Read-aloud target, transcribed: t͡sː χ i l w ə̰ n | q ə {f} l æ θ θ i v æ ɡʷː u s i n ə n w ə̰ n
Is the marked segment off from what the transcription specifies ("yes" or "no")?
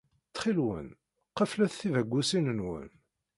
no